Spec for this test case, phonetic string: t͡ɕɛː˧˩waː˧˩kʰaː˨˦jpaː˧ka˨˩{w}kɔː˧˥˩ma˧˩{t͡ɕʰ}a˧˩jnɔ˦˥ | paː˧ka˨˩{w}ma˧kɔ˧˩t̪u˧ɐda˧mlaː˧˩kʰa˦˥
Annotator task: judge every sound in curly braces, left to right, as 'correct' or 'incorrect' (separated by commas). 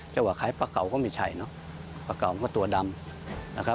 correct, correct, correct